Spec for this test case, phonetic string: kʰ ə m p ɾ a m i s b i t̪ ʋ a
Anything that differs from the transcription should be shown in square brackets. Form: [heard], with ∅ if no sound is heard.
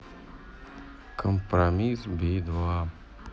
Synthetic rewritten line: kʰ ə m p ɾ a m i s b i [d̪] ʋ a